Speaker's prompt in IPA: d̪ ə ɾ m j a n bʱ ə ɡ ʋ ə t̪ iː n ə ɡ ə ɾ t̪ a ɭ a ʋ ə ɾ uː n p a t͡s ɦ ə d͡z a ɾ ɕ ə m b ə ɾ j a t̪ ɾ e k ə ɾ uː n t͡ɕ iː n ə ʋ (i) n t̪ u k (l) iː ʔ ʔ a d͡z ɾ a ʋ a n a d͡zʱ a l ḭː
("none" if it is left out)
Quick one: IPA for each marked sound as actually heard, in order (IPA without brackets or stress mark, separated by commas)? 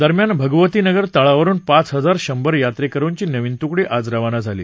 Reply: i, ɽ